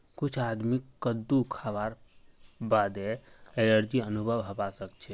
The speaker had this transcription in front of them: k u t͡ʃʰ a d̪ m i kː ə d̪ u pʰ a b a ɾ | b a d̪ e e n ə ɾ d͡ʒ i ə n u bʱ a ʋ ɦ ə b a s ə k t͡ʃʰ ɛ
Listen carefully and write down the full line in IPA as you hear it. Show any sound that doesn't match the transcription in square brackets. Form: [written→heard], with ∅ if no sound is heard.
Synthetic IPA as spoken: k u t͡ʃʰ a d̪ m i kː ə d̪ u [pʰ→kʰ] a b a ɾ | b a d̪ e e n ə ɾ d͡ʒ i ə n u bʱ [a→ə] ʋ ɦ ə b a s ə k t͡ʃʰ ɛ

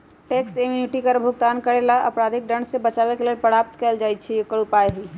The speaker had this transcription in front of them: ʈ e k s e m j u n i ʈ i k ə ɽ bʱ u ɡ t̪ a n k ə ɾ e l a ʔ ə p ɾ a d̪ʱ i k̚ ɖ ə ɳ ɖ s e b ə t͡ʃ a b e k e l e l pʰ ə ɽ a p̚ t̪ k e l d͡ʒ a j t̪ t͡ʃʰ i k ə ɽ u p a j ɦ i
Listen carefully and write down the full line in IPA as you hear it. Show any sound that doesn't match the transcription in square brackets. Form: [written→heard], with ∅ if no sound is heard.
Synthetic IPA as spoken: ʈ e k s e m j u n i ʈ i k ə [ɽ→ɾ] bʱ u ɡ t̪ a n k ə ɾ e l a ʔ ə p ɾ a d̪ʱ i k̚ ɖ ə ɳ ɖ s e b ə t͡ʃ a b e k e l e l [pʰ→p] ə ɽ a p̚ t̪ k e l d͡ʒ a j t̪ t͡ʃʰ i k ə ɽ u p a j ɦ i

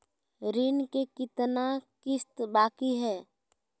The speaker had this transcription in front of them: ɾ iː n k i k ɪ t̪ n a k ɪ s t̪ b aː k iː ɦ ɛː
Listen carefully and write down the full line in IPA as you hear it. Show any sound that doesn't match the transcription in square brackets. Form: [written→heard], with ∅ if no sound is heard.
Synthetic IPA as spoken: ɾ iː n k [i→e] k ɪ t̪ n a k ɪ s t̪ b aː k [iː→i] ɦ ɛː

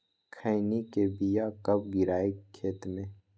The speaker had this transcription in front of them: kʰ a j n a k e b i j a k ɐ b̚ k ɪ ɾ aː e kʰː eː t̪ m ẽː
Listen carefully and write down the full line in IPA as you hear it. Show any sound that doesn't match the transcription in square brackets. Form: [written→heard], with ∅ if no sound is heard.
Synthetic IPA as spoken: kʰ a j n [a→i] k e b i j a k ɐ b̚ [k→ɡ] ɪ ɾ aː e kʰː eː t̪ m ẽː

